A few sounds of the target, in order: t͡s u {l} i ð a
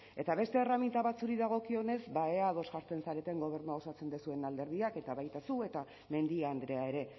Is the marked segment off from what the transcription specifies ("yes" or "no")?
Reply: yes